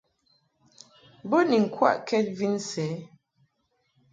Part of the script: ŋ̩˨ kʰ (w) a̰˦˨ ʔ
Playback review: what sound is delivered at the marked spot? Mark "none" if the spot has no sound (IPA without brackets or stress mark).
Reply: w